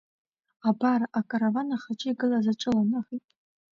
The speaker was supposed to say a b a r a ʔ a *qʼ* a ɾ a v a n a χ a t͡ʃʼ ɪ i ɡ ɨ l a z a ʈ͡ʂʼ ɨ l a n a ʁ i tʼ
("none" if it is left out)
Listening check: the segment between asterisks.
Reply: kʼ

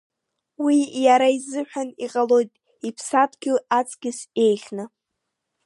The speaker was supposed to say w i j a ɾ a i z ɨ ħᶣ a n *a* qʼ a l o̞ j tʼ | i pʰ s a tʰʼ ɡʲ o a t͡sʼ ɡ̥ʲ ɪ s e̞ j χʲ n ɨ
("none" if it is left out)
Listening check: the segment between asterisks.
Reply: i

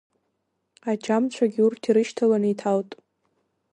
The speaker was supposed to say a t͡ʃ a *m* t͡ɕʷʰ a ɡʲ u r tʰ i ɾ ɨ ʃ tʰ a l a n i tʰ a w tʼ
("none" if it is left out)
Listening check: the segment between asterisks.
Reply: m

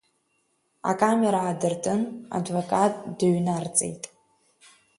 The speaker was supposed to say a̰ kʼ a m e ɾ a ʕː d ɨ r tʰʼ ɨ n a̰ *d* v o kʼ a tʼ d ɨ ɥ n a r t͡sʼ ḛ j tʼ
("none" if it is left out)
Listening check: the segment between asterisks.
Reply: d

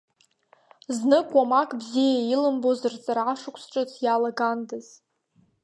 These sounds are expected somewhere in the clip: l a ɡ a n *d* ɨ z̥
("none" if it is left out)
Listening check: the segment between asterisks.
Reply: d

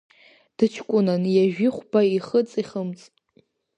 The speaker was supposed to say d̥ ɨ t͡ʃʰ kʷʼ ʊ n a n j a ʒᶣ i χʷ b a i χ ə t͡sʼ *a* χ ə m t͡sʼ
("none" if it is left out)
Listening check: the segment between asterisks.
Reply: i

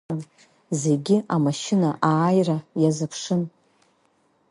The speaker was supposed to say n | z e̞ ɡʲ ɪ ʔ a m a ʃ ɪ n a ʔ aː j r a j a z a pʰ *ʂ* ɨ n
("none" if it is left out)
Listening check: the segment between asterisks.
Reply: ʂ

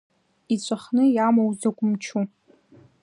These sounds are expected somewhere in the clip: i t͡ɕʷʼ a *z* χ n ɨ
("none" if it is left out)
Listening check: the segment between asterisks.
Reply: none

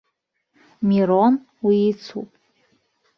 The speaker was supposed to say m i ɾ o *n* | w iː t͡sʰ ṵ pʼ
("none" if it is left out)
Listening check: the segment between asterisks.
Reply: n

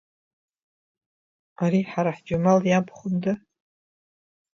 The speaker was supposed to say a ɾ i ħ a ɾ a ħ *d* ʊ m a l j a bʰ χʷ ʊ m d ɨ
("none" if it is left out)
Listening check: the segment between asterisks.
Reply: d͡ʒ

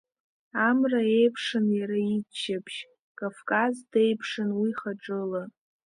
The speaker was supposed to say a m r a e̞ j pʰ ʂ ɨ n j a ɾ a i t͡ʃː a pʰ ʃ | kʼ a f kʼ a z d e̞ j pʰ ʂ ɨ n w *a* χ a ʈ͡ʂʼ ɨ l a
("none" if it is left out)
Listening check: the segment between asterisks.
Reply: i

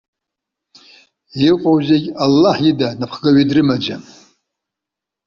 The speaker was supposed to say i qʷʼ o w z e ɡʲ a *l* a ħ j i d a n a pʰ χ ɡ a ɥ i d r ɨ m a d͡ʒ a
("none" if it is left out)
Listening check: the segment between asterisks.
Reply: lː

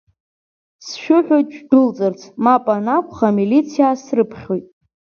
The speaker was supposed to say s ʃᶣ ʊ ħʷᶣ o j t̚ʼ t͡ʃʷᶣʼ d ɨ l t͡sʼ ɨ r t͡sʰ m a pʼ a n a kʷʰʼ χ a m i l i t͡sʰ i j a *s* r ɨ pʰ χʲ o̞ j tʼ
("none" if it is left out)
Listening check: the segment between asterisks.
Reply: s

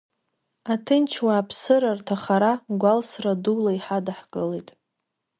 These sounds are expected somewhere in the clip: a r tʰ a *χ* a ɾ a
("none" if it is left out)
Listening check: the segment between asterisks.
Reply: χ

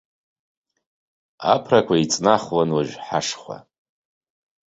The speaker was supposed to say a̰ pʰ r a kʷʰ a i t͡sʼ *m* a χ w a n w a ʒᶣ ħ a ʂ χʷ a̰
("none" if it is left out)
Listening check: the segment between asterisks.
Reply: n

